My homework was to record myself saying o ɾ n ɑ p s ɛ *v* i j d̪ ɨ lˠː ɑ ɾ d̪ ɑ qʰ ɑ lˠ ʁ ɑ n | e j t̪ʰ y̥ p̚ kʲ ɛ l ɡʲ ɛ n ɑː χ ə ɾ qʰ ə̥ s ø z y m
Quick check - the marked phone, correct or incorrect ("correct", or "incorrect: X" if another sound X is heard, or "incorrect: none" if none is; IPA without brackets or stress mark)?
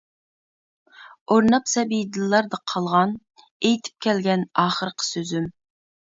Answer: incorrect: b